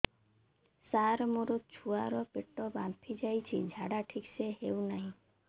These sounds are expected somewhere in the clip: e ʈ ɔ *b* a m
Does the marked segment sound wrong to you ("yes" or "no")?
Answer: no